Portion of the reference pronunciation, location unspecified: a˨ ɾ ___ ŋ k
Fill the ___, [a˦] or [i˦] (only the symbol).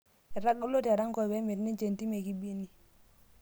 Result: a˦